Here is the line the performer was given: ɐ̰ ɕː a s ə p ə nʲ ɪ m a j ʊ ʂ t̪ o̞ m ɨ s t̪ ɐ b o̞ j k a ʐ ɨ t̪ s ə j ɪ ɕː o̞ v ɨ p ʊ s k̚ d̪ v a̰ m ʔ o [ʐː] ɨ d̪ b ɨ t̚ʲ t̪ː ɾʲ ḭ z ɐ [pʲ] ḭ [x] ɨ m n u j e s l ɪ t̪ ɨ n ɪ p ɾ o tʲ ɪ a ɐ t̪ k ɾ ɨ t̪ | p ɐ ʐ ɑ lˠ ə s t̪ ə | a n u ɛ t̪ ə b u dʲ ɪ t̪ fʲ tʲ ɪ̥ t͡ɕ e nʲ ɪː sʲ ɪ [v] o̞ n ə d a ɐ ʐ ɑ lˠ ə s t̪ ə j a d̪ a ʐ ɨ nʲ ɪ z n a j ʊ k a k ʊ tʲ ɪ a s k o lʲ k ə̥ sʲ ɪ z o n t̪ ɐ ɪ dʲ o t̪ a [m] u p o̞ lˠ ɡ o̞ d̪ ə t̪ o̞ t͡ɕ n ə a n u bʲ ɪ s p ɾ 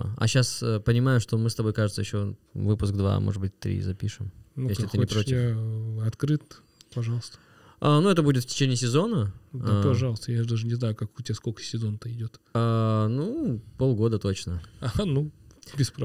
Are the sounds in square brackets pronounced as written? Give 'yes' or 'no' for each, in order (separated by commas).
no, yes, no, no, no